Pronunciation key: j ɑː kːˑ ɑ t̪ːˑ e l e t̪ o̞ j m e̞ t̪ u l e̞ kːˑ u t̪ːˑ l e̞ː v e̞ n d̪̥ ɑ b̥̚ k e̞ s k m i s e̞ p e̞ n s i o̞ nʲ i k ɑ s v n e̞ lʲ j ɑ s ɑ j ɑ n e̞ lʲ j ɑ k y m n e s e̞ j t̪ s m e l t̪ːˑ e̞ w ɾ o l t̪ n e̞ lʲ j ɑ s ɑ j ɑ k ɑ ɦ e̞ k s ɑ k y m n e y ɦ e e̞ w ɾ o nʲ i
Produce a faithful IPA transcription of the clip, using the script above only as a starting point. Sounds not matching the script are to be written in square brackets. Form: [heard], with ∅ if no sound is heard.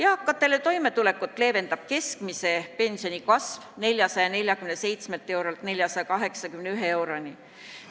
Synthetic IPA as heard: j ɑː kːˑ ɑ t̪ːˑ e l e t̪ o̞ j m e̞ t̪ u l e̞ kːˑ u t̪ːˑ l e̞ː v e̞ n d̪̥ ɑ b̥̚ k e̞ s k m i s e̞ p e̞ n s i o̞ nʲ i k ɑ s v n e̞ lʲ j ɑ s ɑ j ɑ n e̞ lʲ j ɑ k y m n e s e̞ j t̪ s m e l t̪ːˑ e̞ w ɾ o l t̪ n e̞ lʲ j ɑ s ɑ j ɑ k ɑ ɦ e̞ k s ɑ k y m n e y ɦ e e̞ w ɾ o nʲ i